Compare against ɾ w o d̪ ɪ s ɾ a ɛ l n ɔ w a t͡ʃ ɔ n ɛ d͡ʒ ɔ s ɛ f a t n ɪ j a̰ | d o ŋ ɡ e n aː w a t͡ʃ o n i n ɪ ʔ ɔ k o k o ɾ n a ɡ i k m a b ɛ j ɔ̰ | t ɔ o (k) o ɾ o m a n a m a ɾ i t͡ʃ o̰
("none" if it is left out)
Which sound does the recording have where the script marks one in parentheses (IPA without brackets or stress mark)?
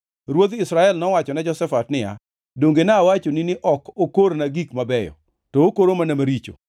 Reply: k